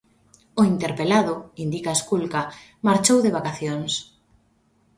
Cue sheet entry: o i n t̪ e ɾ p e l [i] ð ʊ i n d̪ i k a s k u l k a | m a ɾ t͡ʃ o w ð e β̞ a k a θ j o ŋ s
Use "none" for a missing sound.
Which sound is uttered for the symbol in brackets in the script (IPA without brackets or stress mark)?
a